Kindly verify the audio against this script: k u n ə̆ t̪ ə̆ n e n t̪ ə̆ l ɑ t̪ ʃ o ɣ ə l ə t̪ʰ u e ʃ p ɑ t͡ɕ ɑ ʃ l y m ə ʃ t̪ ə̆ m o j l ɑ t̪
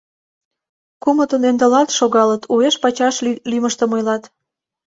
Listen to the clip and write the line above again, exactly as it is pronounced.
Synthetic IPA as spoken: k u m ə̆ t̪ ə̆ n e n d̪ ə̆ l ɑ t̪ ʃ o ɣ ɑ l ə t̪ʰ u e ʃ p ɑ t͡ɕ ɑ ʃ l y m ə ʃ t̪ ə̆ m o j l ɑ t̪